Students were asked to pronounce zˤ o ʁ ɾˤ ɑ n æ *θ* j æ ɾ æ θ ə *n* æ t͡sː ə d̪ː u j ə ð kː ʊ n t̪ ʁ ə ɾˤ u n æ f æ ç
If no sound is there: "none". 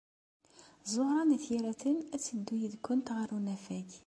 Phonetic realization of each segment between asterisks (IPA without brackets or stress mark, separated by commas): θ, n